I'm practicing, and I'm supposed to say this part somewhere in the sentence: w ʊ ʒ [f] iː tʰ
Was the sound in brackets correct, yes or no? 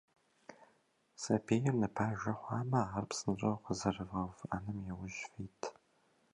yes